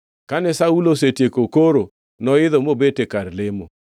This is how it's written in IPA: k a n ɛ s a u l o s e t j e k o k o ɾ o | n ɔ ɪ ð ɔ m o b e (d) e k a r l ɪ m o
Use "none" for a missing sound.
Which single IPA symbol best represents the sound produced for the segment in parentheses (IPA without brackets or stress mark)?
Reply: t